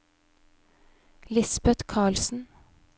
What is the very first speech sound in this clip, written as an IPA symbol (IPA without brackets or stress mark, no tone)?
l